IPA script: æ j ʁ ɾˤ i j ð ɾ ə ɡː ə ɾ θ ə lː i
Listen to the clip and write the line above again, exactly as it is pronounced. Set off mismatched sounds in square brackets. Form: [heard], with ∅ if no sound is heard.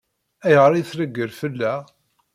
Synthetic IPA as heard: æ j ʁ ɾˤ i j [θ] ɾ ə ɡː ə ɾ [f] ə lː [æ]